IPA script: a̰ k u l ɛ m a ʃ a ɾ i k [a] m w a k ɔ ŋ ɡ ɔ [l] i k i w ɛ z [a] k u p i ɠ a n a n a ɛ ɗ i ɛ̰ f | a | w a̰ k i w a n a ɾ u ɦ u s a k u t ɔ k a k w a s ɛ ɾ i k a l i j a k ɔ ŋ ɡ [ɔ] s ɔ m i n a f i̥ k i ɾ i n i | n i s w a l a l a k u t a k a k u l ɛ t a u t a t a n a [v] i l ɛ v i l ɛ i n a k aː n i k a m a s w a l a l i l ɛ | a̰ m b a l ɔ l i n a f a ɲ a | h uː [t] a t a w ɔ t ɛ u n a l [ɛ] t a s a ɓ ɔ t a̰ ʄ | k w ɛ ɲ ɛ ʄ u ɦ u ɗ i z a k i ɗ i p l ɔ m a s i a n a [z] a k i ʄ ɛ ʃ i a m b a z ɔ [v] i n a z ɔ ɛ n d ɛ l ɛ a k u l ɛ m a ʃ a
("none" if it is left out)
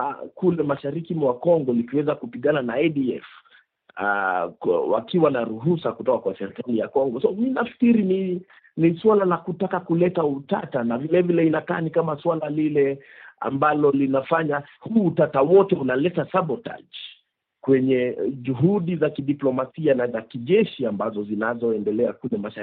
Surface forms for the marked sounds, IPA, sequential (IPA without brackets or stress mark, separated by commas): i, l, a, ɔ, v, t, ɛ, z, z